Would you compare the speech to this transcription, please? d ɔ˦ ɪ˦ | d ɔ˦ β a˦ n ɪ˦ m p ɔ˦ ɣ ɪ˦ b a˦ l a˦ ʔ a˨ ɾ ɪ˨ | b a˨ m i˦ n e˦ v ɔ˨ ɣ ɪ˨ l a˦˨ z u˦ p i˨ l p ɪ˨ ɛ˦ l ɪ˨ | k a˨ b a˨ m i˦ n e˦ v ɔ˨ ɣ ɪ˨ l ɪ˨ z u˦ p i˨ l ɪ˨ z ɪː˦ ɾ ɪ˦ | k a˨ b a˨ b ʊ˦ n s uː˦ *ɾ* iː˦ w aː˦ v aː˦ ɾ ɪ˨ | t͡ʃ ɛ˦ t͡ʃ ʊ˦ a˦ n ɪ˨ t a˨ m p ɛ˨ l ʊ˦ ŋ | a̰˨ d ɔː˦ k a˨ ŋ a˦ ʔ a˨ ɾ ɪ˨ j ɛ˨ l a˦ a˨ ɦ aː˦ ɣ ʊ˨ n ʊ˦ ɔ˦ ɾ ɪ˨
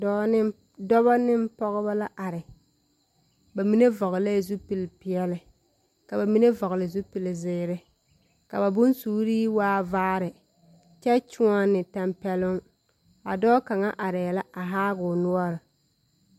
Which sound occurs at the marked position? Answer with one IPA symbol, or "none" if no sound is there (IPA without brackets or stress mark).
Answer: ɾ